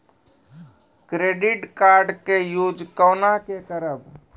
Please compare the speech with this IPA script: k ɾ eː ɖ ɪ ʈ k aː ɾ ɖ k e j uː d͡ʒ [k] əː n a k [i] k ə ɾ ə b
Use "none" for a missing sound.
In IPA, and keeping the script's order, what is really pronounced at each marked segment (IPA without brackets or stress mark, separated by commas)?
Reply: k, e